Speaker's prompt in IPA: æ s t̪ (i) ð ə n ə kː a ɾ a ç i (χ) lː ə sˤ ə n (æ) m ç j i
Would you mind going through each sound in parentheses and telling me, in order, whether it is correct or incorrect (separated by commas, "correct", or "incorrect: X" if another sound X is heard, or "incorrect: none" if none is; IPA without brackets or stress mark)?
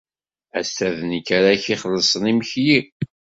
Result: incorrect: æ, correct, incorrect: i